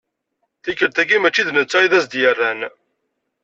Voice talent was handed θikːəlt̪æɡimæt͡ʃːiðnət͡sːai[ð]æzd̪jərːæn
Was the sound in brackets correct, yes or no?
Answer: yes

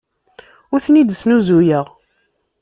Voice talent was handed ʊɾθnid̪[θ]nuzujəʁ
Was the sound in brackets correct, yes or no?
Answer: no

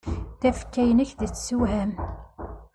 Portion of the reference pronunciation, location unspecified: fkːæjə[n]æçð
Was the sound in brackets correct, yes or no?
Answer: yes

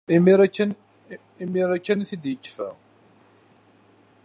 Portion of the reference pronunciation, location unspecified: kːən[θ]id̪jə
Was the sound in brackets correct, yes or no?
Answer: yes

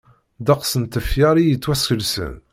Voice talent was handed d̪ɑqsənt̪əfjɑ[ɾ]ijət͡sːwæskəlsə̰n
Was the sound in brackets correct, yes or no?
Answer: yes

